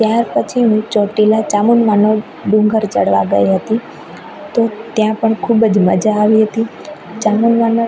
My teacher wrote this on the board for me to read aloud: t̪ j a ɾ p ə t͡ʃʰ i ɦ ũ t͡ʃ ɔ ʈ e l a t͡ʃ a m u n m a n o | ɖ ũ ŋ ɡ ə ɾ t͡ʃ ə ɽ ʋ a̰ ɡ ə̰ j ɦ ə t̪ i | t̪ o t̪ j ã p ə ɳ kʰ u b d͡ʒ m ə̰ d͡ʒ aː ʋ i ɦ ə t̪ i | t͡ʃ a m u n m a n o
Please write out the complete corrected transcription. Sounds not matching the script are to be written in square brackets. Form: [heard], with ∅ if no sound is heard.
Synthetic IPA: t̪ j a ɾ p ə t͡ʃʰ i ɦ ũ t͡ʃ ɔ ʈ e l a t͡ʃ a m u n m a n o | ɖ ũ ŋ ɡ ə ɾ t͡ʃ ə ɽ ʋ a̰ ɡ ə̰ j ɦ ə t̪ i | t̪ o t̪ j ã p ə ɳ kʰ u b d͡ʒ m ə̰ d͡ʒ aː ʋ i ɦ ə t̪ i | t͡ʃ a m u n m a n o